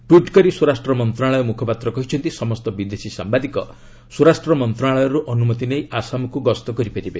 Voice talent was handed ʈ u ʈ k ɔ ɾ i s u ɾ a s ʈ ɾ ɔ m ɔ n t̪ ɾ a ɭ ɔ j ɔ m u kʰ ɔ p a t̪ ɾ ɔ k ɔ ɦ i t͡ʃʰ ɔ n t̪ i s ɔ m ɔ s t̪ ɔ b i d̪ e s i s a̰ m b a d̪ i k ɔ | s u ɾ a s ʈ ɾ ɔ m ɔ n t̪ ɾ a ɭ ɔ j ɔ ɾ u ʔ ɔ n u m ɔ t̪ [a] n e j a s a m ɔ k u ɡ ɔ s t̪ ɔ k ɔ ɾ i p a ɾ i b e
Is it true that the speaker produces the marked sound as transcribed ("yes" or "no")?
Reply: no